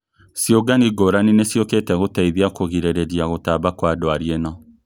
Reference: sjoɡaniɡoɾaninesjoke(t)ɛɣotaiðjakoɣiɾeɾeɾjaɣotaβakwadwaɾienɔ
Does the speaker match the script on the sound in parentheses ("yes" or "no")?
yes